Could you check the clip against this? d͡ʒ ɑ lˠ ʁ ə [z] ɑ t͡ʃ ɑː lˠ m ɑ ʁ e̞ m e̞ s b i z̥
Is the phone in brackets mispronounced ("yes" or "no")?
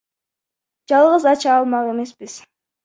no